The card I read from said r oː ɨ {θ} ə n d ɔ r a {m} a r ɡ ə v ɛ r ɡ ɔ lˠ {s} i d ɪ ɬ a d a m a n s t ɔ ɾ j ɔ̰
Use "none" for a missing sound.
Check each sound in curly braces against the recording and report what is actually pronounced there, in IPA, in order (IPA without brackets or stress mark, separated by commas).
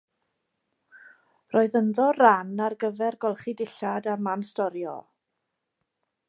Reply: ð, n, χ